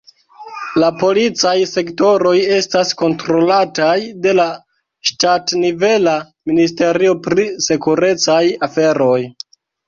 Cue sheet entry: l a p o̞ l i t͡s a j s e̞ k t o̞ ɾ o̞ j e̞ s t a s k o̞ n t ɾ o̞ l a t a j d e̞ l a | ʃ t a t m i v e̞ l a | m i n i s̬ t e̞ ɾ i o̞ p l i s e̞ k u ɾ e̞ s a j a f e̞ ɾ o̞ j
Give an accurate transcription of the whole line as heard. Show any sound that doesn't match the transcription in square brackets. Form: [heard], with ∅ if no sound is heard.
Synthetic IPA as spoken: l a p o̞ l i t͡s a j s e̞ k t o̞ ɾ o̞ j e̞ s t a s k o̞ n t ɾ o̞ l a t a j d e̞ l a | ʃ t a t [n] i v e̞ l a | m i n i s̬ t e̞ ɾ i o̞ p [ɾ] i s e̞ k u ɾ e̞ [t͡s] a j a f e̞ ɾ o̞ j